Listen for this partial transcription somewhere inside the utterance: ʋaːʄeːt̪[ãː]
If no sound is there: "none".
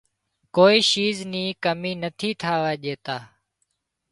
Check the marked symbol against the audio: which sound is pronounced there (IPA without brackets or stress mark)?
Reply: aː